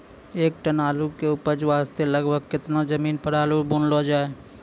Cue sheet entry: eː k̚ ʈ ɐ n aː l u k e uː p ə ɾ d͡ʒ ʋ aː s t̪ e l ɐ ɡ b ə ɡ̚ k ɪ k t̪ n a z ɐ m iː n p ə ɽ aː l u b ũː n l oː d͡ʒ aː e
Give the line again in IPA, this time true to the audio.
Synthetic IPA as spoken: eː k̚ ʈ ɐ n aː l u k e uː p ə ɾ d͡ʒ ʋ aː s t̪ e l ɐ ɡ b ə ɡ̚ k ɪ t̪ n a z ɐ m iː n p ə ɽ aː l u b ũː n l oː d͡ʒ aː e

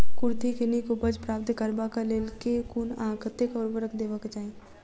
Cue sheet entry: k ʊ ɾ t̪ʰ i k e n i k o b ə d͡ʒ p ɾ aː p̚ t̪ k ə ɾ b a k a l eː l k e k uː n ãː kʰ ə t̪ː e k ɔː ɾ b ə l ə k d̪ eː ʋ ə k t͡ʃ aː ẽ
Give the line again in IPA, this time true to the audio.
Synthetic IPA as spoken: k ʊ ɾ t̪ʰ i k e n i k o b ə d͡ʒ p ɾ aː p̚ t̪ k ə ɾ b a k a l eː l k e k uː n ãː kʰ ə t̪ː e k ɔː ɾ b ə ɾ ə k d̪ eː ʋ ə k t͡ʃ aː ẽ

